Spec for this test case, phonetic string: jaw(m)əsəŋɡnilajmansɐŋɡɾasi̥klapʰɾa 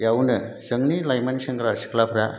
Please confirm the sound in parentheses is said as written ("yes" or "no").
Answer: no